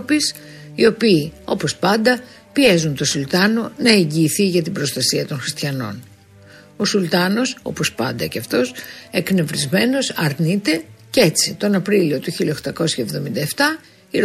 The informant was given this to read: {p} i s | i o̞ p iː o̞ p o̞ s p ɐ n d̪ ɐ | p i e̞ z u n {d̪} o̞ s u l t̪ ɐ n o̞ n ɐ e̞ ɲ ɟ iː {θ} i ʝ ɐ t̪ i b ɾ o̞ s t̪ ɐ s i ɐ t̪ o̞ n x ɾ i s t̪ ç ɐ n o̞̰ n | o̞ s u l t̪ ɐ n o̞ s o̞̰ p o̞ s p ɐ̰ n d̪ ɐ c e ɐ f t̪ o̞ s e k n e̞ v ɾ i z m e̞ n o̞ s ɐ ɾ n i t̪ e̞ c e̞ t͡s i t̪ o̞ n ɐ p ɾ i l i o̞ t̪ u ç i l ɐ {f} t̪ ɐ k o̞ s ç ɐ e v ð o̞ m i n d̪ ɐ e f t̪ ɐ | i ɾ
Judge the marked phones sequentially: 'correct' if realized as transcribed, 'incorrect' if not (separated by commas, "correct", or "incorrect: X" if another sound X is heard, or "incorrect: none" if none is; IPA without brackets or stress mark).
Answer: correct, incorrect: t̪, correct, incorrect: x